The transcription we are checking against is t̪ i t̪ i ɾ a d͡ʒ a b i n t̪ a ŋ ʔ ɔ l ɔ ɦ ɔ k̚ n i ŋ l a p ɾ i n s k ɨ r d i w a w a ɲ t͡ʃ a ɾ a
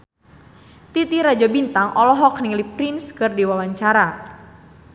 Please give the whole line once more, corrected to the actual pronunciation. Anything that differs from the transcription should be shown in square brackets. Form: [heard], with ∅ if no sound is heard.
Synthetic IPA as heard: t̪ i t̪ i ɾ a d͡ʒ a b i n t̪ a ŋ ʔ ɔ l ɔ ɦ ɔ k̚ n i ŋ l [i] p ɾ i n s k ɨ r d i w a w a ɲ t͡ʃ a ɾ a